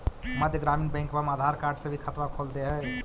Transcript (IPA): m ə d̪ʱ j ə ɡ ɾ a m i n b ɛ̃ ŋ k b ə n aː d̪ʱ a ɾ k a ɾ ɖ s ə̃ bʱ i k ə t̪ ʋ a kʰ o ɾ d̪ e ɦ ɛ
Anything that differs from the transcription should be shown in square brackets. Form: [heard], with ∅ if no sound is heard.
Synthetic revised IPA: m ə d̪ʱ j ə ɡ ɾ a m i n b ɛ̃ ŋ k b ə [m] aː d̪ʱ a ɾ k a ɾ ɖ s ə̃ bʱ i [kʰ] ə t̪ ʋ a kʰ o [l] d̪ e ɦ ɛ